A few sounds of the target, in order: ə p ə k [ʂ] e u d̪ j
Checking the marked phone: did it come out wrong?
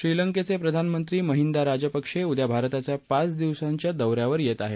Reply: no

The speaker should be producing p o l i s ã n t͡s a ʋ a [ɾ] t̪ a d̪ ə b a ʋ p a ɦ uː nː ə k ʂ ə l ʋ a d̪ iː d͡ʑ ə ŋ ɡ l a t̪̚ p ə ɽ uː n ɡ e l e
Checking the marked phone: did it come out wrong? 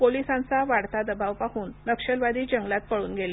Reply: yes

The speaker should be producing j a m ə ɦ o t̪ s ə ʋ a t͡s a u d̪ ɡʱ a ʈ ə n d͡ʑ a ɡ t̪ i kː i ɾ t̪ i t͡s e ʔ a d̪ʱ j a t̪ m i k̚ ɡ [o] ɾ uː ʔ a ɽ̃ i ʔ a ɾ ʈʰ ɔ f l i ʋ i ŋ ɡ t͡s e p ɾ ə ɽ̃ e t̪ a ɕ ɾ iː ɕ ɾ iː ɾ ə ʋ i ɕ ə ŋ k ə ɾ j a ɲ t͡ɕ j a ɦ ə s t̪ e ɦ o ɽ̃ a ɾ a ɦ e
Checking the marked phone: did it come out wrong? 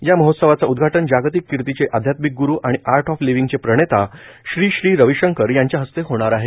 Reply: yes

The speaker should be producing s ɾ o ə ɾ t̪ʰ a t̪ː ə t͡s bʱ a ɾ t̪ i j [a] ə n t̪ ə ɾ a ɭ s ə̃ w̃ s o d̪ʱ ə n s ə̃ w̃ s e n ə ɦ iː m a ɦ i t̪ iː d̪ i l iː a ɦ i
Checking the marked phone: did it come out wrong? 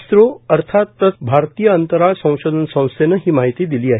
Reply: yes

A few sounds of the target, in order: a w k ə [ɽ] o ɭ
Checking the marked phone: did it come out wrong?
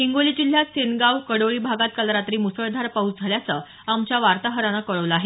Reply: no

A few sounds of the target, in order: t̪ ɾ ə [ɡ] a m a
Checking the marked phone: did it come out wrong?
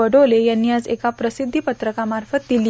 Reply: yes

